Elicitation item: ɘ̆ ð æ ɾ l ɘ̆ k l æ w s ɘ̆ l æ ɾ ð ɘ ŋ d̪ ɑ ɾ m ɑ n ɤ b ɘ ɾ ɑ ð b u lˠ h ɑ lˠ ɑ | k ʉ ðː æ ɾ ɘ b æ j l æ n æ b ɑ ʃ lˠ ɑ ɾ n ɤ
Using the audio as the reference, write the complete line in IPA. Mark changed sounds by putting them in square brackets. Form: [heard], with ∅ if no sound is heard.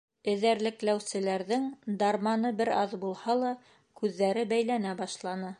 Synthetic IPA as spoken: ɘ̆ ð æ ɾ l ɘ̆ k l æ w s ɘ̆ l æ ɾ ð ɘ ŋ d̪ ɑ ɾ m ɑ n ɤ b ɘ ɾ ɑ ð b u lˠ h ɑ lˠ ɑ | k ʉ ðː æ ɾ ɘ b æ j l æ n æ b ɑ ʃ lˠ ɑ [∅] n ɤ